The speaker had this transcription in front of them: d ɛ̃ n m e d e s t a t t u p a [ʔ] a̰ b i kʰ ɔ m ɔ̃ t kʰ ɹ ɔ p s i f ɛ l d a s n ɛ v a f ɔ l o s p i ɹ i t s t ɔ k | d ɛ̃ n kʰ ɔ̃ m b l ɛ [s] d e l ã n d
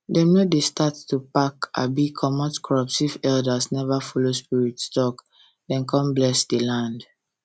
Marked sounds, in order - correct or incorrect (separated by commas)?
incorrect, correct